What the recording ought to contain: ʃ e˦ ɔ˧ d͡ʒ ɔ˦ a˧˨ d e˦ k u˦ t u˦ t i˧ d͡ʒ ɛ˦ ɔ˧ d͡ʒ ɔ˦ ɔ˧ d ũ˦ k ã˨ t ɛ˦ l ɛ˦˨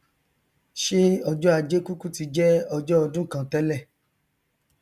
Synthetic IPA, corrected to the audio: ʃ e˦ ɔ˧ d͡ʒ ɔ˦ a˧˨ d͡ʒ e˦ k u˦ k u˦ t i˧ d͡ʒ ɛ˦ ɔ˧ d͡ʒ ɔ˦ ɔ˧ d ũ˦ k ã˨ t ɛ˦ l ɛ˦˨